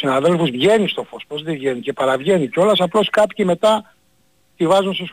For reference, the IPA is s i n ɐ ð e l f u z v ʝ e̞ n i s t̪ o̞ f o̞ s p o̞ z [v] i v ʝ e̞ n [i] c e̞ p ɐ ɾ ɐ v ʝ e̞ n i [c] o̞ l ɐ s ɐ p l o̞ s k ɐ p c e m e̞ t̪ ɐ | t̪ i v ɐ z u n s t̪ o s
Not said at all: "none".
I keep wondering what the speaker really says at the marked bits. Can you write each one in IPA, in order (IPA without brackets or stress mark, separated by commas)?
ð, i, c